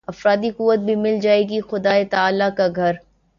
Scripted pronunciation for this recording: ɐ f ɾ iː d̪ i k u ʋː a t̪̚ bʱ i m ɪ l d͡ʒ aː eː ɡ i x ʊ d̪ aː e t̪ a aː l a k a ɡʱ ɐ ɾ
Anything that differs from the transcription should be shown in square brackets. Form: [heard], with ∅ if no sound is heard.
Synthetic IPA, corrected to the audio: ɐ f ɾ [aː] d̪ i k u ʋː [ə] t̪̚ bʱ i m ɪ l d͡ʒ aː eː ɡ i x ʊ d̪ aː e t̪ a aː l a k a ɡʱ ɐ ɾ

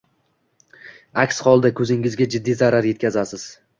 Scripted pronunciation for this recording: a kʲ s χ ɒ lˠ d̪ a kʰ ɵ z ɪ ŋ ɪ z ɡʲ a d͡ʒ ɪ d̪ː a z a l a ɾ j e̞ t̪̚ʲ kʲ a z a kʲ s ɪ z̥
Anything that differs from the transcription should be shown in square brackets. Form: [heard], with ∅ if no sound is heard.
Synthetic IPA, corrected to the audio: a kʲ s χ ɒ lˠ d̪ a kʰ ɵ z ɪ ŋ ɪ z ɡʲ a d͡ʒ ɪ d̪ː [i] z a [ɾ] a ɾ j e̞ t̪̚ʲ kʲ a z a [∅] s ɪ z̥

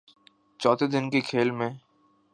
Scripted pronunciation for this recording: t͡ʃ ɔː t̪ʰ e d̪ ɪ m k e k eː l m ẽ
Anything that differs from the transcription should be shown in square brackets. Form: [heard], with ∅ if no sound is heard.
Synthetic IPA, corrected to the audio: t͡ʃ ɔː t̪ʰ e d̪ ɪ [n] k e [kʰ] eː l m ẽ

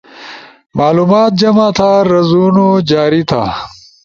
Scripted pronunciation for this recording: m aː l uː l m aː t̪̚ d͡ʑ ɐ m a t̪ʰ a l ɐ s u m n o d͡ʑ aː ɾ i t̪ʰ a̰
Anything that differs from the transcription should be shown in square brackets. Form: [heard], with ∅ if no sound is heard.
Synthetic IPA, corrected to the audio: m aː l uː [∅] m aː t̪̚ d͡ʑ ɐ m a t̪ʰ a [ɾ] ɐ [z] u [∅] n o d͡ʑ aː ɾ i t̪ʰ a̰

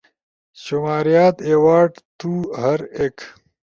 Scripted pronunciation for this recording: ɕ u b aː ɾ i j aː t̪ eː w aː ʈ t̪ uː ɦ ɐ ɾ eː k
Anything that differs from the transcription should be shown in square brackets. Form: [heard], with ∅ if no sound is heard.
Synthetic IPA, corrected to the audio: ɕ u [m] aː ɾ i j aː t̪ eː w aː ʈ t̪ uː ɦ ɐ ɾ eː k

